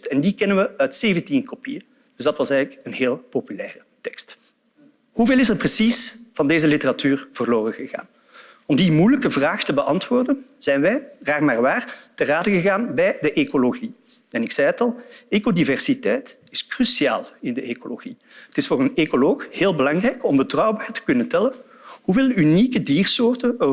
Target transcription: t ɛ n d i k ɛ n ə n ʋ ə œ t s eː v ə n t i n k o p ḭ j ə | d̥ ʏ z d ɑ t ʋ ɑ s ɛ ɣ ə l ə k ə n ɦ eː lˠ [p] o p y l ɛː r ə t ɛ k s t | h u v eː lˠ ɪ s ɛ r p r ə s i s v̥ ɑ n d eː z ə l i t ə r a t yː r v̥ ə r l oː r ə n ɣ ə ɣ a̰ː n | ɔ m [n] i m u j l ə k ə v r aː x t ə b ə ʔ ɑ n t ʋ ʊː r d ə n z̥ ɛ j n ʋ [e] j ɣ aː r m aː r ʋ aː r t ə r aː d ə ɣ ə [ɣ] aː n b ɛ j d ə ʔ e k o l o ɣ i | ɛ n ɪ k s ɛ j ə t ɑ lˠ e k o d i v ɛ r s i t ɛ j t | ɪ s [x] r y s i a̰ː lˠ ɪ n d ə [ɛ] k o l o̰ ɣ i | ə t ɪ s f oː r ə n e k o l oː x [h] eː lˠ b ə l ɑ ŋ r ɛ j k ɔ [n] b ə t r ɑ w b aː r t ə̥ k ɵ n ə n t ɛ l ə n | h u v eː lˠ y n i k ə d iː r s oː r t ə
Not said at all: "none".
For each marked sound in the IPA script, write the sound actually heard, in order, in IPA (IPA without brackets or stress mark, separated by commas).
p, d, ɛ, ɣ, k, e, h, m